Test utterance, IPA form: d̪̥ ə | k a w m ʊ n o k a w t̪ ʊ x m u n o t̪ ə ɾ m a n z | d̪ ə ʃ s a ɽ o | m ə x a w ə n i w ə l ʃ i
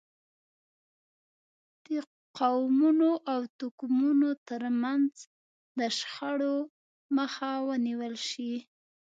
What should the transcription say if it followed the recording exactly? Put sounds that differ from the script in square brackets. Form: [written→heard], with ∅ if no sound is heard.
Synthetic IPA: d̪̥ ə | [k→q] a w m [ʊ→u] n o [k→ʔ] a w t̪ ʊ [x→k] m u n o t̪ ə ɾ m a n z | d̪ ə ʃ [s→x] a ɽ o | m ə x a w ə n i w ə l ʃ i

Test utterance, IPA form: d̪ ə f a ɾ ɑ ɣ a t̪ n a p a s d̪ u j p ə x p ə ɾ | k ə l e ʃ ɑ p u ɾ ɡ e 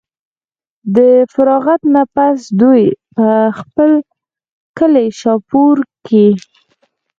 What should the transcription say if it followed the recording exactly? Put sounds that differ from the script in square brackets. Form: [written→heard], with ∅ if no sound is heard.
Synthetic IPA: d̪ ə f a ɾ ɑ ɣ a t̪ n a p a s d̪ u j p ə x p ə [ɾ→l] | k ə l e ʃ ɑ p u ɾ [ɡ→k] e

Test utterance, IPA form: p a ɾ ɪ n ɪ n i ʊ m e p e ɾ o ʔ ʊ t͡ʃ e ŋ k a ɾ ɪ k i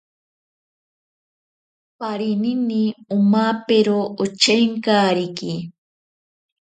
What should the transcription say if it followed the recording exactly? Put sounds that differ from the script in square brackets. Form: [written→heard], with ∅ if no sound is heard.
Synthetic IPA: p a ɾ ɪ n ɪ n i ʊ m [e→a] p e ɾ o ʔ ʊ t͡ʃ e ŋ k a ɾ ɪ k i

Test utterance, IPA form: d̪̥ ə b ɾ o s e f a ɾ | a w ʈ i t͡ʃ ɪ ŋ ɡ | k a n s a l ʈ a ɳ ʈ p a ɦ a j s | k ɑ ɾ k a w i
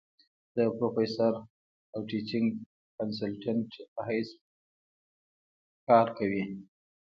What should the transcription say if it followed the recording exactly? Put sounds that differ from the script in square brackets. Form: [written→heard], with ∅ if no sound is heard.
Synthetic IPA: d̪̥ ə [b→p] ɾ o [s→f] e [f→s] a ɾ | a w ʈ i t͡ʃ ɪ ŋ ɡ | k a n s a l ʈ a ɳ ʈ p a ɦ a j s | k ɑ ɾ k a w i

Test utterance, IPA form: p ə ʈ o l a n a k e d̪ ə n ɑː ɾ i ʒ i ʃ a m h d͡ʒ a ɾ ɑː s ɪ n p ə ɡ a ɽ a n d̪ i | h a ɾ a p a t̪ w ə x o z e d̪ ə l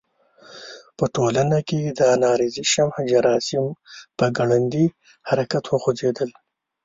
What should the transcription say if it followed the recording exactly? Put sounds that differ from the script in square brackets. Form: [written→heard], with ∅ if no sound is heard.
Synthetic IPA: p ə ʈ o l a n a k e d̪ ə n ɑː ɾ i [ʒ→z] i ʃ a m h d͡ʒ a ɾ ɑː s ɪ [n→m] p ə ɡ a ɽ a n d̪ i | h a ɾ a [p→k] a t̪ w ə x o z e d̪ ə l

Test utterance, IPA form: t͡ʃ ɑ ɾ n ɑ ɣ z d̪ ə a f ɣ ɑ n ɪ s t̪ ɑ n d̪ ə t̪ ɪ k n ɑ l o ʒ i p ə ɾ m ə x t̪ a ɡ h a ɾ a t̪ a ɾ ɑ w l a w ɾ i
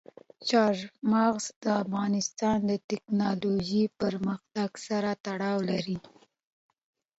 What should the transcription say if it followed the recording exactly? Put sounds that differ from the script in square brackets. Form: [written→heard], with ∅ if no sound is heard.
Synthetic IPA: t͡ʃ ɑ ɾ [n→m] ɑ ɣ z d̪ ə a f ɣ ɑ n ɪ s t̪ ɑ n d̪ ə t̪ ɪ k n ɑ l o ʒ i p ə ɾ m ə x t̪ a ɡ [h→s] a ɾ a t̪ a [ɾ→ɽ] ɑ w l a [w→∅] ɾ i

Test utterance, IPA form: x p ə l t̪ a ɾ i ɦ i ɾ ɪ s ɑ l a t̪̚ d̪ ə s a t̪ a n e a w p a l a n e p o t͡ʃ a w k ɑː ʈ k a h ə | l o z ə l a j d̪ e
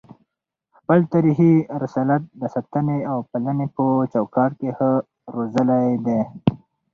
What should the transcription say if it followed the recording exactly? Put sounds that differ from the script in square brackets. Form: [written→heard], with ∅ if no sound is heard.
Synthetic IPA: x p ə l t̪ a ɾ i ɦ i ɾ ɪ s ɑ l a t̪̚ d̪ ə s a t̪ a n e a w p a l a n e p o t͡ʃ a w k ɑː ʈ k [a→e] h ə | [l→ɾ] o z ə l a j d̪ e

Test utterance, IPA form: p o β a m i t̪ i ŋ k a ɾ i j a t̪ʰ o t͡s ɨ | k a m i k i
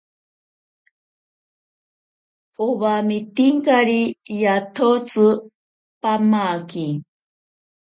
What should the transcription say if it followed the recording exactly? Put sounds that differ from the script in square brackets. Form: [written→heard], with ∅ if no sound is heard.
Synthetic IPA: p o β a m i t̪ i ŋ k a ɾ i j a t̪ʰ o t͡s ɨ | [k→p] a m [i→a] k i

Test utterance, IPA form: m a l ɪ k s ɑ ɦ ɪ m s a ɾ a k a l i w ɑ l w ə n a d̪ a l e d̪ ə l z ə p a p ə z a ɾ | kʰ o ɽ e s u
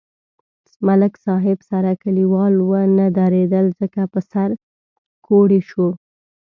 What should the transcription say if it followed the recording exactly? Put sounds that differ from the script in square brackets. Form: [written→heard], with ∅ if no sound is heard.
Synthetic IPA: m a l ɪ k s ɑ ɦ ɪ [m→b] s a ɾ a k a l i w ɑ l w ə n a d̪ a [l→ɾ] e d̪ ə l z ə [p→k] a p ə [z→s] a ɾ | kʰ o ɽ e [s→ʃ] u

